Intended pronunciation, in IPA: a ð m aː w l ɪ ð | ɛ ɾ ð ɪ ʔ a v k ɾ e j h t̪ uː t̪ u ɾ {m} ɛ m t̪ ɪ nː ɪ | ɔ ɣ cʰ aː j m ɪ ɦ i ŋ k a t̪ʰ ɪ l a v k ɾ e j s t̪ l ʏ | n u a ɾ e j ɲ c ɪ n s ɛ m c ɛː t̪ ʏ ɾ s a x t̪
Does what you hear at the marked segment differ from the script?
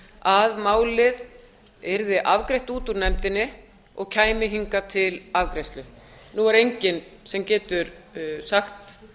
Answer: yes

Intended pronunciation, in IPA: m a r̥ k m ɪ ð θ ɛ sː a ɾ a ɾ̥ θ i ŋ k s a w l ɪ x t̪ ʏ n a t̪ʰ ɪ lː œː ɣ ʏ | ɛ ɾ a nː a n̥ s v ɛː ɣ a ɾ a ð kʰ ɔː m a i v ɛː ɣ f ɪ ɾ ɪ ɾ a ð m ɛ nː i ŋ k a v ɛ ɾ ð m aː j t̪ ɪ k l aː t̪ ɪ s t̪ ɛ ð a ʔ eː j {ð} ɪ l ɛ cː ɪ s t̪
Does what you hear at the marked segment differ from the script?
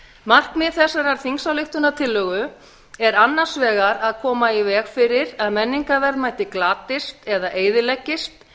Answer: no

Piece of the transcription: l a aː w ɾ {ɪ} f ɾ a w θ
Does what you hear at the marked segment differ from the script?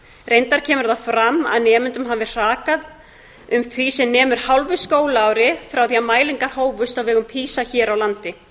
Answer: no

